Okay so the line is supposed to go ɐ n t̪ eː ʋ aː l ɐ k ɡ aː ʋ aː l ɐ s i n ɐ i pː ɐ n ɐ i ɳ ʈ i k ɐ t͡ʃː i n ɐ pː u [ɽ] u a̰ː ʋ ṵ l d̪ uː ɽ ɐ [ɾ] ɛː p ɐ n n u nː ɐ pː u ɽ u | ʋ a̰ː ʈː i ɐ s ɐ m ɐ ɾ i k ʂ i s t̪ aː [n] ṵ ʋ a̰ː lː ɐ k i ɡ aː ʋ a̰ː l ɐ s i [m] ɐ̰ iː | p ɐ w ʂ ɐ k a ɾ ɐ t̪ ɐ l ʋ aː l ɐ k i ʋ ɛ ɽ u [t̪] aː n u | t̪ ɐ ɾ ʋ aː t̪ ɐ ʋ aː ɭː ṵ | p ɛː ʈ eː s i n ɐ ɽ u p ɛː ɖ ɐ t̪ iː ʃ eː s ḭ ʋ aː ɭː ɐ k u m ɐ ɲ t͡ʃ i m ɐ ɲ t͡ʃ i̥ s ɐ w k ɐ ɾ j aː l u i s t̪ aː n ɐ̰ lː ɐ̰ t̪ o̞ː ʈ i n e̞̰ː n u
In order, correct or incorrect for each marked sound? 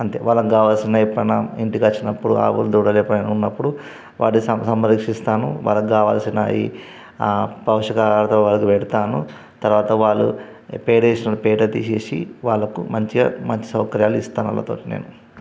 correct, incorrect: l, correct, incorrect: n, correct

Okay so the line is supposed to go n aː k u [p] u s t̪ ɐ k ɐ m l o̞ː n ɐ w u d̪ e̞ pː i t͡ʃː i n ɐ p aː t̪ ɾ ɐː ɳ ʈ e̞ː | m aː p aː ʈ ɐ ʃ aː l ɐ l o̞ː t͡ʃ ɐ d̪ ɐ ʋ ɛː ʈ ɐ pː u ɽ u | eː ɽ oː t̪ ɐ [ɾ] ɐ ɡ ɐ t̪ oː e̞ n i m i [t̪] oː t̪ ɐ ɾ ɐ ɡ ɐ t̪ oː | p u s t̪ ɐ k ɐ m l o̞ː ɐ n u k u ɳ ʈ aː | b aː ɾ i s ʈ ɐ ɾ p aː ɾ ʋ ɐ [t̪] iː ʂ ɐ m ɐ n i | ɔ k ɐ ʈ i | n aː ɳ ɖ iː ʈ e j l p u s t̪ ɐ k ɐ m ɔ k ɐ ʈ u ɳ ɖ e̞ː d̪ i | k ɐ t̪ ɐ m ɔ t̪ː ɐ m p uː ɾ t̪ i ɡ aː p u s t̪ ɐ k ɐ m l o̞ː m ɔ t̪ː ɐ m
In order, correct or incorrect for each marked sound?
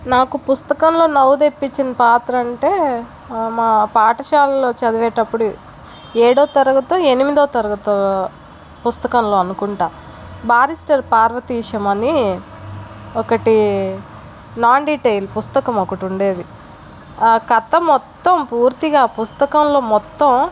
correct, correct, incorrect: d̪, correct

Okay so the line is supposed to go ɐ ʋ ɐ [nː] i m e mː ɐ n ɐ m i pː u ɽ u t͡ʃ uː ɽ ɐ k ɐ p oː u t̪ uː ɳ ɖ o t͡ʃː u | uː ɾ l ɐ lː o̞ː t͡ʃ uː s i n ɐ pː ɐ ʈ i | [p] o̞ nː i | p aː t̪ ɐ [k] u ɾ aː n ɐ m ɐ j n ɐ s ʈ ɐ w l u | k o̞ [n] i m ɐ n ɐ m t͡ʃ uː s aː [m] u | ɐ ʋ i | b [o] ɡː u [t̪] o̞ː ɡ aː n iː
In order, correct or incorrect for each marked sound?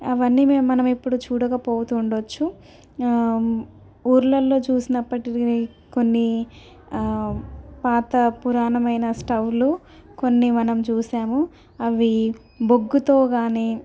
correct, incorrect: k, incorrect: p, incorrect: nː, correct, correct, correct

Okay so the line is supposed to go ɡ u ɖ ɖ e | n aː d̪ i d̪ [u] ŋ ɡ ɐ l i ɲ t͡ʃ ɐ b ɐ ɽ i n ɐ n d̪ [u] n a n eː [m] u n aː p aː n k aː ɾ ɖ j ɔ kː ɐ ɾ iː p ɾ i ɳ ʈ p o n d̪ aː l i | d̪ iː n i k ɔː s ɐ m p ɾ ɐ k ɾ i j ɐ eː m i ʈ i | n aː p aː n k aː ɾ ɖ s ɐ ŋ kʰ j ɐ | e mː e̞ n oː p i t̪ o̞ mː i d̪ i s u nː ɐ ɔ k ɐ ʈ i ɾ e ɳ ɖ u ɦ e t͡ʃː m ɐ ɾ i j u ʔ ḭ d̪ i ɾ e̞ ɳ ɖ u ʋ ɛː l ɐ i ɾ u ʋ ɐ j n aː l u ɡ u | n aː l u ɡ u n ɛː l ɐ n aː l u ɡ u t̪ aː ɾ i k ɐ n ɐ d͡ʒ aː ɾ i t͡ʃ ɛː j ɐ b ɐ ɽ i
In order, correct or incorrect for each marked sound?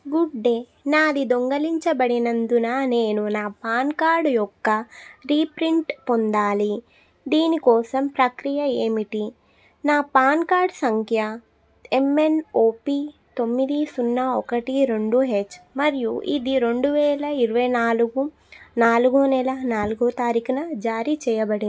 incorrect: o, correct, incorrect: n

